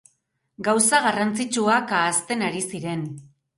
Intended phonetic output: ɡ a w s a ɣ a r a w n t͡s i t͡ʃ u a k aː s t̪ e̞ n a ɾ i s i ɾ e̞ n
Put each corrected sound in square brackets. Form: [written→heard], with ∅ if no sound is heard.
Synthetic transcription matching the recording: ɡ a w s a ɣ a r a [w→∅] n t͡s i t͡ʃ u a k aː s t̪ e̞ n a ɾ i s i ɾ e̞ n

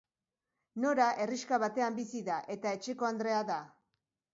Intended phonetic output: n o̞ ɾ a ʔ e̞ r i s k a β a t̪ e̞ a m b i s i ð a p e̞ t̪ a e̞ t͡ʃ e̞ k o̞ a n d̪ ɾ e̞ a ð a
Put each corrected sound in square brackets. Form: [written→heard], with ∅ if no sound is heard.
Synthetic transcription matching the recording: n o̞ ɾ a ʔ e̞ r i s k a β a t̪ e̞ a m b i s i ð a [p→ʔ] e̞ t̪ a e̞ t͡ʃ e̞ k o̞ a n d̪ ɾ e̞ a ð a

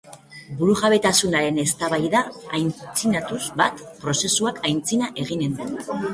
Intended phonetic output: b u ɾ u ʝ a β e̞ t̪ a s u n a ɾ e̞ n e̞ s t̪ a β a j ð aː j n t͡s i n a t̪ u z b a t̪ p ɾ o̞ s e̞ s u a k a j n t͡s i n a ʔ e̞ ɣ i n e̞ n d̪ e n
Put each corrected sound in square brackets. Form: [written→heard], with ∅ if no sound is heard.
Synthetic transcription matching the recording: b u ɾ u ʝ a β e̞ t̪ a s u n a ɾ e̞ n e̞ s t̪ a β a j ð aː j n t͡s i n a t̪ u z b a t̪ p ɾ o̞ s e̞ s u a k a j n t͡s i n a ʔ e̞ ɣ i n e̞ n d̪ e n

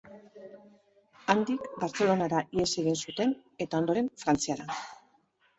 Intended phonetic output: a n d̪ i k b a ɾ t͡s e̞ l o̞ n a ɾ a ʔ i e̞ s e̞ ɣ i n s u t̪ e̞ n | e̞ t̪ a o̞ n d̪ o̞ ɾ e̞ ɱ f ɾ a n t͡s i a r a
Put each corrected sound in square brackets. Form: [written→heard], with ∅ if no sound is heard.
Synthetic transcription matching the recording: a n d̪ i k b a ɾ t͡s e̞ l o̞ n a ɾ a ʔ i e̞ s e̞ ɣ i n s u t̪ e̞ n | e̞ t̪ a o̞ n d̪ o̞ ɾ e̞ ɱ f ɾ a n t͡s i a [r→ɾ] a

